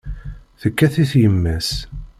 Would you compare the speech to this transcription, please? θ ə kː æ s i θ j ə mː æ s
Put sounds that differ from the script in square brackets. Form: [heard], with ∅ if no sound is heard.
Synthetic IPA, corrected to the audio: θ ə kː æ [θ] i θ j ə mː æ s